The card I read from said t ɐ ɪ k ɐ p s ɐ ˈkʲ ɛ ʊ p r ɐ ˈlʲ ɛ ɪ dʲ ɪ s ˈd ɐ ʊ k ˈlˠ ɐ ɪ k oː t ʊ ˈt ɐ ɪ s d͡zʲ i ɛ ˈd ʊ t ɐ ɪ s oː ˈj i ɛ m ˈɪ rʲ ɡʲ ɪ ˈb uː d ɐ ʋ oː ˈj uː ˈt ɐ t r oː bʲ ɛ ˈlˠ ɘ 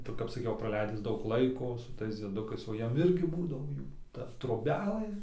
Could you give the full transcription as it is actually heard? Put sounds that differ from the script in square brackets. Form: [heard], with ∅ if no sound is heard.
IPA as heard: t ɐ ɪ k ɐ p s ɐ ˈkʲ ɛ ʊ p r ɐ ˈlʲ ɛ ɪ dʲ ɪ s ˈd ɐ ʊ k ˈlˠ ɐ ɪ k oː [s] ʊ ˈt ɐ ɪ s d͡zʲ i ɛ ˈd ʊ [k] ɐ ɪ s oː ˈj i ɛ m ˈɪ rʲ ɡʲ ɪ ˈb uː d ɐ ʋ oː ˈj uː ˈt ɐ t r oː bʲ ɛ ˈlˠ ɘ